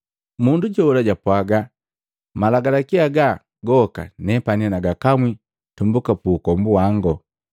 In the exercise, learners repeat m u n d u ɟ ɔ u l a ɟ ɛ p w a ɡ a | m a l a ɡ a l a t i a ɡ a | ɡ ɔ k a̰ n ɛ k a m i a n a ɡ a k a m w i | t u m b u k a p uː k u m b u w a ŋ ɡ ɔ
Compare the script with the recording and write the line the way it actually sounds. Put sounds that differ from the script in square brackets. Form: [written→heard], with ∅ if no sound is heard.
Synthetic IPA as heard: m u n d u ɟ ɔ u l a ɟ [ɛ→a] p w a ɡ a | m a l a ɡ a l a [t→k] i a ɡ a | ɡ ɔ k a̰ n ɛ [k→p] a [m→n] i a n a ɡ a k a m w i | t u m b u k a p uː k [u→ɔ] m b u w a ŋ ɡ ɔ